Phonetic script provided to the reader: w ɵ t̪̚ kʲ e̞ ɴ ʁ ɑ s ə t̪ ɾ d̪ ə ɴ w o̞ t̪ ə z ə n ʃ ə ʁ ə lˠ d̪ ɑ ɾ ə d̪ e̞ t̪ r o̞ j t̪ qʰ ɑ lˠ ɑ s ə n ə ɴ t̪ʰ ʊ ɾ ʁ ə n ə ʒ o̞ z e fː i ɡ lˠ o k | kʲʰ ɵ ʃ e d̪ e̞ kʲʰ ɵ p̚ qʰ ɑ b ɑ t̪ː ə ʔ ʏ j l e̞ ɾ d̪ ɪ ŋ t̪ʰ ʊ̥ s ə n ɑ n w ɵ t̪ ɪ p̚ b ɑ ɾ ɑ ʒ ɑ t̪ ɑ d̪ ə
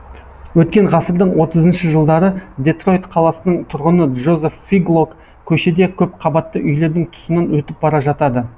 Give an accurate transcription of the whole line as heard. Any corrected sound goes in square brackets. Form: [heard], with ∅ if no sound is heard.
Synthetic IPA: w ɵ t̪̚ kʲ e̞ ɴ ʁ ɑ s ə [∅] ɾ d̪ ə ɴ w o̞ t̪ ə z ə n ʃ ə [ʒ] ə lˠ d̪ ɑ ɾ ə d̪ e̞ t̪ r o̞ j t̪ qʰ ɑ lˠ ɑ s ə n ə ɴ t̪ʰ ʊ ɾ ʁ ə n ə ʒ o̞ z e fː i ɡ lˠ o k | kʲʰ ɵ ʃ e d̪ e̞ kʲʰ ɵ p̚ qʰ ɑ b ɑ t̪ː ə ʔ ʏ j l e̞ ɾ d̪ ɪ ŋ t̪ʰ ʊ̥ s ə n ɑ n w ɵ t̪ ɪ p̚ b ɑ ɾ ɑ ʒ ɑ t̪ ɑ d̪ ə